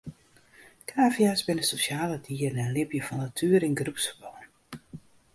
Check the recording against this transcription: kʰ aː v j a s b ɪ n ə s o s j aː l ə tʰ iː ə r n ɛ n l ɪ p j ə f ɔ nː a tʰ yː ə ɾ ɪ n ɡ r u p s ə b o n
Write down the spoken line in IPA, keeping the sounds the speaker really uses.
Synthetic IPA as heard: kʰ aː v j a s b ɪ n ə s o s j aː l ə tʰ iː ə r n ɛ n l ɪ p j ə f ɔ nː a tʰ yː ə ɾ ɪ n ɡ r u p s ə b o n